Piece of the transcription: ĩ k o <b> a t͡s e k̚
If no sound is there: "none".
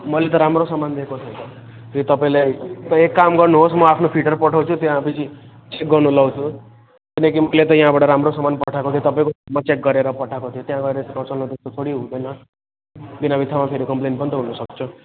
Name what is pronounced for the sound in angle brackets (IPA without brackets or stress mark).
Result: m